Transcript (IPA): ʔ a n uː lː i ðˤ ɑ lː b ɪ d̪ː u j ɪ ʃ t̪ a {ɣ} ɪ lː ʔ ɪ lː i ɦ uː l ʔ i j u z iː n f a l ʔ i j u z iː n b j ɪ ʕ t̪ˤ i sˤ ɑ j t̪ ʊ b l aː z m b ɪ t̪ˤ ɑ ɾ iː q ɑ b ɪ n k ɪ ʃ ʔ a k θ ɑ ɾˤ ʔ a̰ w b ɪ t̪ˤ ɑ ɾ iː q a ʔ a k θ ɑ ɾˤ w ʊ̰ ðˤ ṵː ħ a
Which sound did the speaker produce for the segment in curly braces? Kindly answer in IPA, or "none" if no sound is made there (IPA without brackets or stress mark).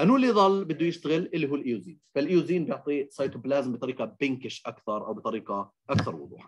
ɣ